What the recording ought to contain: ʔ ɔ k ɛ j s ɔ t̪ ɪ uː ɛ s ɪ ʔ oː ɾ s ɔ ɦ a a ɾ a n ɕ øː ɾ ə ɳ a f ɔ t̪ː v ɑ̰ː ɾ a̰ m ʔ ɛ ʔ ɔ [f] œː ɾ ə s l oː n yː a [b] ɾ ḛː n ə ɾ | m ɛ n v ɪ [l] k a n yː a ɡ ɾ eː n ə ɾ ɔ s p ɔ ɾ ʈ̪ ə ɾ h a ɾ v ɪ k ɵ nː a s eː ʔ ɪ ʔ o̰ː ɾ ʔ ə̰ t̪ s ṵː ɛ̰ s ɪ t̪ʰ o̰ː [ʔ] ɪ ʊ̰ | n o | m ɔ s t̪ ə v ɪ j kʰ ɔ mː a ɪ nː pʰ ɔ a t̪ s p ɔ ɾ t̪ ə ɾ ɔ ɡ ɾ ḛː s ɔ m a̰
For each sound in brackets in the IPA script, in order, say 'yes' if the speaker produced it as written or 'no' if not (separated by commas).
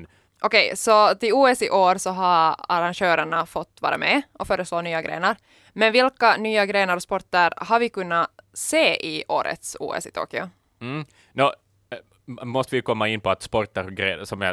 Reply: yes, no, yes, no